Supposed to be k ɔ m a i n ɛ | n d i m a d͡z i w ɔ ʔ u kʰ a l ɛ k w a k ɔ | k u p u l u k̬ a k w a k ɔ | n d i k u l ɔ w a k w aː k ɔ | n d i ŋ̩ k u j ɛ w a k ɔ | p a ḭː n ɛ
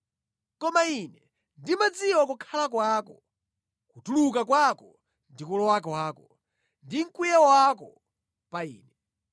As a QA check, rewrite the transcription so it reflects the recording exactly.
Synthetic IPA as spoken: k ɔ m a i n ɛ | n d i m a d͡z i w ɔ k u kʰ a l a k w a k ɔ | k u t u l u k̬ a k w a k ɔ | n d i k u l ɔ w a k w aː k ɔ | n d i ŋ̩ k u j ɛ w a k ɔ | p a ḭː n ɛ